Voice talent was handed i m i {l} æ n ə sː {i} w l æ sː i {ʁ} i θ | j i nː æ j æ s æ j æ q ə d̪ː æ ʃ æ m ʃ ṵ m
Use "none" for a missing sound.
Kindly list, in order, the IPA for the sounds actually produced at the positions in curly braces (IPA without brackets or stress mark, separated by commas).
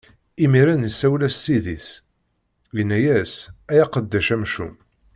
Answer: ɾ, æ, ð